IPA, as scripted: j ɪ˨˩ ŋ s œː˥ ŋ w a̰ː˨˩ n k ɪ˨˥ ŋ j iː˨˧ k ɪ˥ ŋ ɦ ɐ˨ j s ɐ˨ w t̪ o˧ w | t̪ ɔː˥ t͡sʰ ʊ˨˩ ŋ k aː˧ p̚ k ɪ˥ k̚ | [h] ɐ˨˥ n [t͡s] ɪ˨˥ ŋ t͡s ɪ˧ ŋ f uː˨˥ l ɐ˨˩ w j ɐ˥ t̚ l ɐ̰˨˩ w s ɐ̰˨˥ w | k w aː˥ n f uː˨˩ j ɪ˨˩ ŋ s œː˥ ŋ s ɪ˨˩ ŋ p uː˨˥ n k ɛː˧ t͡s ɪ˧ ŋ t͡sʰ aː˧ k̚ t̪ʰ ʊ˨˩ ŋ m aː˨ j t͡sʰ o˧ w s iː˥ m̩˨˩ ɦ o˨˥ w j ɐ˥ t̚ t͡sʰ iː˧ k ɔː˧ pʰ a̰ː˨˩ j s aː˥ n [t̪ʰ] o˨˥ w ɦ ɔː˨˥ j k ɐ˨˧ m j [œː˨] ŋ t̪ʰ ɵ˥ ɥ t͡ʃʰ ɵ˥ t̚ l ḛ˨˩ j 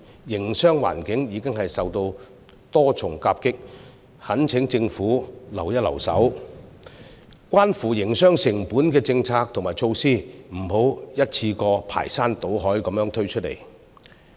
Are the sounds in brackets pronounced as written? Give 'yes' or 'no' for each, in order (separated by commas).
yes, no, no, no